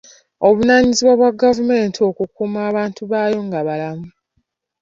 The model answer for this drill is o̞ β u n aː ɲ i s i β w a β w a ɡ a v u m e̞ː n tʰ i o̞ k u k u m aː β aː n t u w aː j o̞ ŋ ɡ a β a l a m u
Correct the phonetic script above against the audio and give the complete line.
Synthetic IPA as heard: o̞ β u n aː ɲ i z i β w a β w a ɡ a v u m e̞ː n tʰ i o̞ k u k u m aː β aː n t u β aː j o̞ ŋ ɡ a β a l a m u